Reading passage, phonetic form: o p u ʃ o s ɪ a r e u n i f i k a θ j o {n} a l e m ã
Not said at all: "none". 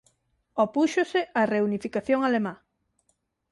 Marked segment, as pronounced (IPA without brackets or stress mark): ŋ